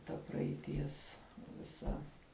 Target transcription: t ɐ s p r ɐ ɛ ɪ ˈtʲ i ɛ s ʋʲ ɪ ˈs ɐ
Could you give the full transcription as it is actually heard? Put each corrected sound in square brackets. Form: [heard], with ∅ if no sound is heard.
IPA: t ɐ [∅] p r ɐ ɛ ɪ ˈtʲ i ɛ s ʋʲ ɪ ˈs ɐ